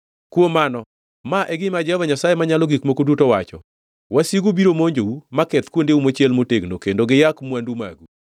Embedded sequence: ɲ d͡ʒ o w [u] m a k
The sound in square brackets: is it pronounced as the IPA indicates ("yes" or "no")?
yes